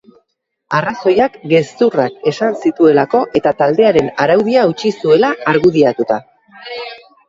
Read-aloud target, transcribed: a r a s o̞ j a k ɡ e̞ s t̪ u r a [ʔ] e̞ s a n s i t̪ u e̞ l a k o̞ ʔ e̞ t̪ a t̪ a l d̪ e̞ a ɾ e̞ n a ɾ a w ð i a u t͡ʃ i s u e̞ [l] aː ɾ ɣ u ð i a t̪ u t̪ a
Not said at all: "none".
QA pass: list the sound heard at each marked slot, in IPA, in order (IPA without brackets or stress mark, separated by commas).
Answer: k, l